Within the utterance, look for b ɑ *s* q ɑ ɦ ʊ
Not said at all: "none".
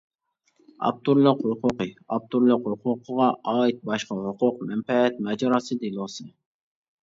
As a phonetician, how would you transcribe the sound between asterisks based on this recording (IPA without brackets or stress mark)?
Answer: ʃ